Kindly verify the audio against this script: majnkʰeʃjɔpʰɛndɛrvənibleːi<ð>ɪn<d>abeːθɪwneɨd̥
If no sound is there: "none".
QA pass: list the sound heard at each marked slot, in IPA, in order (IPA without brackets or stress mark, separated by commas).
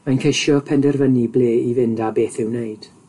v, d